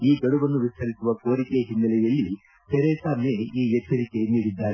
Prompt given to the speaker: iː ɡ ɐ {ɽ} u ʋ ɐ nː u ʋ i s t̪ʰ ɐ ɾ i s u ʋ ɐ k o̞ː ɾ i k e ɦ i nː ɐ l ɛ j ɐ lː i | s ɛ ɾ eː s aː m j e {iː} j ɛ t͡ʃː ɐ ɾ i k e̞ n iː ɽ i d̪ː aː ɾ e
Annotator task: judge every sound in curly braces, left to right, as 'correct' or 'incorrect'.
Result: correct, correct

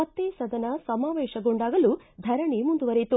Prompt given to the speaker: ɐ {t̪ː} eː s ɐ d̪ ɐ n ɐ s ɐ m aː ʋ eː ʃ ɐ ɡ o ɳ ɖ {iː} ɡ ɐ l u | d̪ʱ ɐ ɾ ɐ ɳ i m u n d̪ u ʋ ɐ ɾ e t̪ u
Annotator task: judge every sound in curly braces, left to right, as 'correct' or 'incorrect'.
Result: correct, incorrect

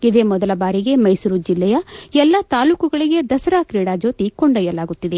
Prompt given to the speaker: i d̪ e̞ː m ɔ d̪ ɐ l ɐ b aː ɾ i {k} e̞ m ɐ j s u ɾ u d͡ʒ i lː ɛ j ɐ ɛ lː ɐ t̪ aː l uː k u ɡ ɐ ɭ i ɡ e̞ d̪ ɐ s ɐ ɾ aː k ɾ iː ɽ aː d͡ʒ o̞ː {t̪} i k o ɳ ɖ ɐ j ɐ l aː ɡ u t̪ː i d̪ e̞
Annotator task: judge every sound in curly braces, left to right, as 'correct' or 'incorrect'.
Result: incorrect, correct

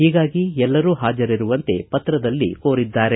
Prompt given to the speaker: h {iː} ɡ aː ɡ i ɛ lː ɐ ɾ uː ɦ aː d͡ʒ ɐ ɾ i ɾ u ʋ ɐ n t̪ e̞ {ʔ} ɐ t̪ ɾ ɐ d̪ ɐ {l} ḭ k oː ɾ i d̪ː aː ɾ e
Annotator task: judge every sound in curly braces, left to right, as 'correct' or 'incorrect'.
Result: correct, incorrect, incorrect

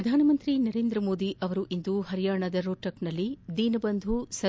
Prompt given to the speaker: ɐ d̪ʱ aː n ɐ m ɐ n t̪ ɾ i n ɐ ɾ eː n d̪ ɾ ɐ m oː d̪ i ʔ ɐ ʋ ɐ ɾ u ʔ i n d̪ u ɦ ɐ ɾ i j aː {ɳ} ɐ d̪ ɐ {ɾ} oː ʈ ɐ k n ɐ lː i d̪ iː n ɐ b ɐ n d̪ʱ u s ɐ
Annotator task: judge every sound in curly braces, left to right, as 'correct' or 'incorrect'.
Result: correct, correct

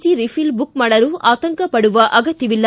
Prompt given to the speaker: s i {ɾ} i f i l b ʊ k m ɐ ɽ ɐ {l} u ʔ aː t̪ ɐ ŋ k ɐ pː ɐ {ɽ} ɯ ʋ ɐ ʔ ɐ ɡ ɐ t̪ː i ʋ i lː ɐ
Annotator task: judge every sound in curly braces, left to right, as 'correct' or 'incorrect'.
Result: correct, incorrect, correct

